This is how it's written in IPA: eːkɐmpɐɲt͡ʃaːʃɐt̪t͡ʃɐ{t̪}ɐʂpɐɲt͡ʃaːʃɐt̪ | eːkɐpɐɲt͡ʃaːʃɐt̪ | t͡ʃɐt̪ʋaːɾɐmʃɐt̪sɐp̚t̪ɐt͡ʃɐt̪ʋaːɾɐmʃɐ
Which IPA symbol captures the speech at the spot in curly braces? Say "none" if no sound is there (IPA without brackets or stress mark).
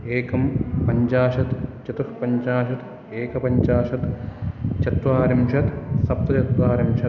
t̪